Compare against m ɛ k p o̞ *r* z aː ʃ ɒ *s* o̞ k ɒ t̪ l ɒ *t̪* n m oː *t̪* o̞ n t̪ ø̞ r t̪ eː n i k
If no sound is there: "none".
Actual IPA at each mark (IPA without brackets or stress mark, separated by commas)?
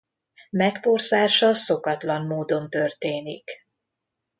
r, s, none, d̪